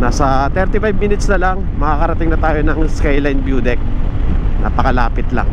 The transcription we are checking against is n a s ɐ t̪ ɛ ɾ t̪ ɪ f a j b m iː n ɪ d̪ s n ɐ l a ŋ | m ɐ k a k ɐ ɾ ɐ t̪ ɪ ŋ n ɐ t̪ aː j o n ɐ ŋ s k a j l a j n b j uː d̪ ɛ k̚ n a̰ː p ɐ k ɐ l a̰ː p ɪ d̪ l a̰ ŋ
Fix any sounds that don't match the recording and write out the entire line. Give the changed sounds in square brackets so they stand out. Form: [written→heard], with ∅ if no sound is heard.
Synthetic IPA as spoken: n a s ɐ t̪ ɛ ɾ t̪ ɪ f a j b m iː n ɪ [d̪→t̪] s n ɐ l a ŋ | m ɐ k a k ɐ ɾ ɐ t̪ ɪ ŋ n ɐ t̪ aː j o n ɐ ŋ s k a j l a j n b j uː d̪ ɛ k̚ n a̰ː p ɐ k ɐ l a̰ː p ɪ [d̪→t̪] l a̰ ŋ